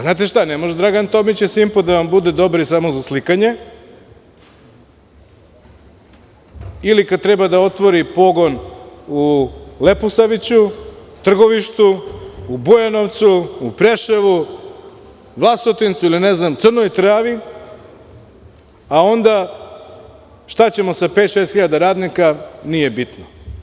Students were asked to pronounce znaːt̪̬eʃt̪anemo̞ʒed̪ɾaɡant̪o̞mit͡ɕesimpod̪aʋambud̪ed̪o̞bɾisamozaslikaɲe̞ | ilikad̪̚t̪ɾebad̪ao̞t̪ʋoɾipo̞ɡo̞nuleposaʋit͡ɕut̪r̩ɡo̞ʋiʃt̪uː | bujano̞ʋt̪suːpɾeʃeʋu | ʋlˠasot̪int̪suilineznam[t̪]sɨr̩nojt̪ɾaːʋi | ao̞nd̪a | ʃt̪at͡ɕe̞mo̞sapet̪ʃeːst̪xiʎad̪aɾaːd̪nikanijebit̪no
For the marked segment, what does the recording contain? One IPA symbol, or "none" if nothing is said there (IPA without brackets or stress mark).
t̪